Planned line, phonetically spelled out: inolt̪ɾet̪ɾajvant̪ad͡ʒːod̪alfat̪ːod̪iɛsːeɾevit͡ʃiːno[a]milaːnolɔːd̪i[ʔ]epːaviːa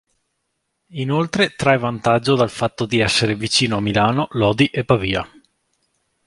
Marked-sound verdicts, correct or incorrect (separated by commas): correct, correct